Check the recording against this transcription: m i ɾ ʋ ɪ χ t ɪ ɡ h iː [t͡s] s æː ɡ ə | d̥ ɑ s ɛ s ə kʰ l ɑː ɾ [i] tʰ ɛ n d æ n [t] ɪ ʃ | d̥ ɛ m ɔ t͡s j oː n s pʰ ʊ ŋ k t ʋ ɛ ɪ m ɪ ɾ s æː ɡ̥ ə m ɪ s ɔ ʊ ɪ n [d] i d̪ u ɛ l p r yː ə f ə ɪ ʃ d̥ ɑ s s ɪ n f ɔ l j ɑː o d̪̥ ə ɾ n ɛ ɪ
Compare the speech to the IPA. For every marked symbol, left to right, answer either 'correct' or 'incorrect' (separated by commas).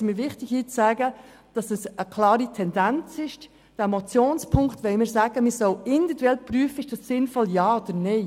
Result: correct, correct, incorrect, correct